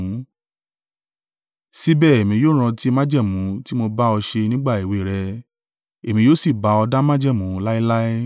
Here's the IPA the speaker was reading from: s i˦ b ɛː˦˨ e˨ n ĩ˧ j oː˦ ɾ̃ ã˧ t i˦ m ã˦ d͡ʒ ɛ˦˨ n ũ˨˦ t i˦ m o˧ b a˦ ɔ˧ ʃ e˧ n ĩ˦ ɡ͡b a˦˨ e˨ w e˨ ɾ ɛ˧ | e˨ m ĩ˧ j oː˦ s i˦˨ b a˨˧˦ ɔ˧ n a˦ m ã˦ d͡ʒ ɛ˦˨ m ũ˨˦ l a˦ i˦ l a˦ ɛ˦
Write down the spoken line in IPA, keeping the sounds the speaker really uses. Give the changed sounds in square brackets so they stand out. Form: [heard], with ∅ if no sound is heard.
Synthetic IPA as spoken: s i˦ b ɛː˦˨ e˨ [m] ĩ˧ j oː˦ ɾ̃ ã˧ t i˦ m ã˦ d͡ʒ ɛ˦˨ [m] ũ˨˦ t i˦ m o˧ b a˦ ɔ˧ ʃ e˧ n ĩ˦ ɡ͡b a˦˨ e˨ w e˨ ɾ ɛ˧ | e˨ m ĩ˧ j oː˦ s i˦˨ b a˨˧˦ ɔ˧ [d] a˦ m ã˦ d͡ʒ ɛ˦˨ m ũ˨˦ l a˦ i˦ l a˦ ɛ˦